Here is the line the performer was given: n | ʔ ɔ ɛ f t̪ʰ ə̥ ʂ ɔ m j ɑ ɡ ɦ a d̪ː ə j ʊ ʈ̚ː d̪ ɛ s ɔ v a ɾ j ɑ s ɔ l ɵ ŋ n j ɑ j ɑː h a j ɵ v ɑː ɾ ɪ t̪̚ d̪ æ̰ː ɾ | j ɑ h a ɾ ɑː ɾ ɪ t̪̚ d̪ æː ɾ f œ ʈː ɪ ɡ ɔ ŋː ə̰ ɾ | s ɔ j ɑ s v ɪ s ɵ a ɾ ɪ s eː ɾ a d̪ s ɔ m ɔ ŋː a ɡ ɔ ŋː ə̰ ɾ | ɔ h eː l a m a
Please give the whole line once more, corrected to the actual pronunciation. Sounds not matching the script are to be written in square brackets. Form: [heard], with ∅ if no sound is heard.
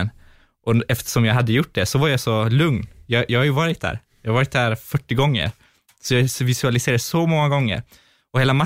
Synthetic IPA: n | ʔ ɔ ɛ f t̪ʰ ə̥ ʂ ɔ m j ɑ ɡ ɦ a d̪ː ə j ʊ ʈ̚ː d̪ ɛ s ɔ v a ɾ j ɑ s ɔ l ɵ ŋ n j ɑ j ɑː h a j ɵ v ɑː ɾ ɪ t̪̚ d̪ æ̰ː ɾ | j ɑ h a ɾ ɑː ɾ ɪ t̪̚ d̪ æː ɾ f œ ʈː ɪ ɡ ɔ ŋː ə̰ ɾ | s ɔ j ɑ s v ɪ s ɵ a [l] ɪ s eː ɾ a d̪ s ɔ m ɔ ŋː a ɡ ɔ ŋː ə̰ ɾ | ɔ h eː l a m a